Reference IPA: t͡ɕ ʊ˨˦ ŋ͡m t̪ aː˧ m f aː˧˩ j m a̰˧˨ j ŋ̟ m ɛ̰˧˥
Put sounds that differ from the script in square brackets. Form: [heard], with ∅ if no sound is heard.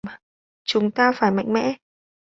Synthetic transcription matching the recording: t͡ɕ ʊ˨˦ ŋ͡m t̪ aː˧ [∅] f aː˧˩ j m a̰˧˨ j ŋ̟ m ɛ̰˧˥